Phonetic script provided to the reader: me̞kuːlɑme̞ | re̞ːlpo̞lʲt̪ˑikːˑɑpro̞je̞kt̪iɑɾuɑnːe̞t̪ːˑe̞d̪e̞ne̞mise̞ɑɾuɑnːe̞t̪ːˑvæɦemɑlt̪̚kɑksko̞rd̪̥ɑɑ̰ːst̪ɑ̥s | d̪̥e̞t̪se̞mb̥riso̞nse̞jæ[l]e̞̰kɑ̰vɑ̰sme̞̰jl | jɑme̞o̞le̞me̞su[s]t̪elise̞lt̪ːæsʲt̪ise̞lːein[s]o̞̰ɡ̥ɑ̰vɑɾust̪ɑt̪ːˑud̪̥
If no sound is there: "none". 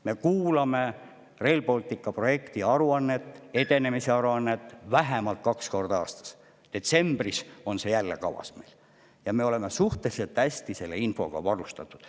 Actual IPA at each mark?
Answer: lː, h, f

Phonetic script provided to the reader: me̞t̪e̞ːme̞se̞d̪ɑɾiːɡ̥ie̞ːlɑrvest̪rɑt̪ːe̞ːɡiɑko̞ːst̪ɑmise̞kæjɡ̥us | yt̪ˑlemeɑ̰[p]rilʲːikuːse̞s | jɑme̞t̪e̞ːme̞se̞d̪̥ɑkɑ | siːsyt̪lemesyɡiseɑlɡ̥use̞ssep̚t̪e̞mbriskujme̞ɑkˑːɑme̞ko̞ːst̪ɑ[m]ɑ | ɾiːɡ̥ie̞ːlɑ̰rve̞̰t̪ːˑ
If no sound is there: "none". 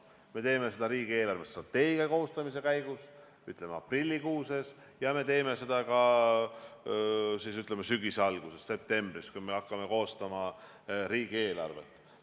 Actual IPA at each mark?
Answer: p, m

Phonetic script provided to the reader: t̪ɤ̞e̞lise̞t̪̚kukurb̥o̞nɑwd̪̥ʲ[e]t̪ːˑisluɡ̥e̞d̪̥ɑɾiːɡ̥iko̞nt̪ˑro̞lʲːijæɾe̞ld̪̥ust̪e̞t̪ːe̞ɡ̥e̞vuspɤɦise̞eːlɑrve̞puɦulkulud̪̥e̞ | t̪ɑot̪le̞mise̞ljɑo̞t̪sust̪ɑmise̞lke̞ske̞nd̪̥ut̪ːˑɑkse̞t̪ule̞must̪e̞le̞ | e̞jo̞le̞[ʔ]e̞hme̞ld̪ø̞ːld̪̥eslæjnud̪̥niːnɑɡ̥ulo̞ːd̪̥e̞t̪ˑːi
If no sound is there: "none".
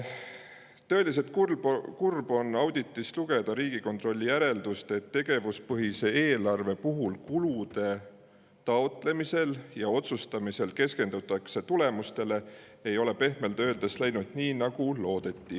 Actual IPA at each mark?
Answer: i, p

